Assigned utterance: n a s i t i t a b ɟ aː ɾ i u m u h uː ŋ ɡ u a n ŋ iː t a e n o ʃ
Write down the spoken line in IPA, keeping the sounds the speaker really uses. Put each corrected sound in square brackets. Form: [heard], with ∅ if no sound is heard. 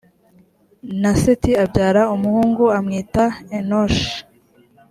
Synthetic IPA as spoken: n a s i t i [∅] a b ɟ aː ɾ [a] u m u h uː ŋ ɡ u a [m] ŋ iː t a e n o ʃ